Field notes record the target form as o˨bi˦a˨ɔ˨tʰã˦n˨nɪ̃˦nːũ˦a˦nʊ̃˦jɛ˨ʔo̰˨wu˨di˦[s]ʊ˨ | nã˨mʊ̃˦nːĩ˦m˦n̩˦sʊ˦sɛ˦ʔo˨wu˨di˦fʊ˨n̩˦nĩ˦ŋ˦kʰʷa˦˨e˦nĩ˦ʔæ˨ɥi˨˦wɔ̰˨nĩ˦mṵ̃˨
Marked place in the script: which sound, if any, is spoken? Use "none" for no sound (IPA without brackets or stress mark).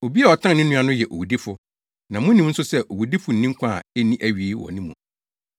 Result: f